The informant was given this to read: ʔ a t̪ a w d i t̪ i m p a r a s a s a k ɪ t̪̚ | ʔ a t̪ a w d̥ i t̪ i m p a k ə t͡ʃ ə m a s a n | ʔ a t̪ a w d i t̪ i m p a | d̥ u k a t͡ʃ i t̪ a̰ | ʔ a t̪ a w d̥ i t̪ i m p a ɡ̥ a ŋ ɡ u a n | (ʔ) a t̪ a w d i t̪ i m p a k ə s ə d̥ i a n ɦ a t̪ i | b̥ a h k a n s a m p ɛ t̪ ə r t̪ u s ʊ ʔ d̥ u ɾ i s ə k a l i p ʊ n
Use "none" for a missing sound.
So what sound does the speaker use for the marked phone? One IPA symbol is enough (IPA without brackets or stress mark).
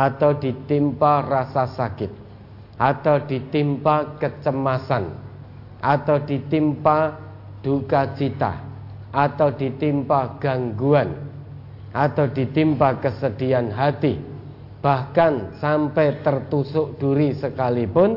ʔ